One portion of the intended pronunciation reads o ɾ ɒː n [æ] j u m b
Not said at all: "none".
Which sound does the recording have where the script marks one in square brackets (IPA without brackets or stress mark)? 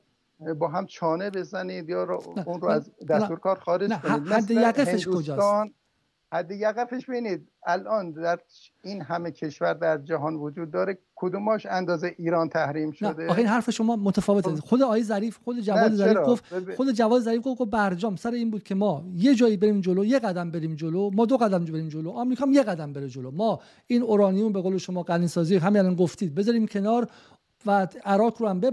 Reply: i